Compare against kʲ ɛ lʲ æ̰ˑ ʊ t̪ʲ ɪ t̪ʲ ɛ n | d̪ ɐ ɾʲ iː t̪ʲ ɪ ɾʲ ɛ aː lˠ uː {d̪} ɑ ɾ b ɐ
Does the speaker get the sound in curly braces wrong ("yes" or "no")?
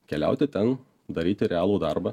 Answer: no